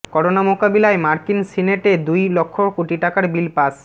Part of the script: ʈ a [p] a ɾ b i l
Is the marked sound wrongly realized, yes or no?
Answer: yes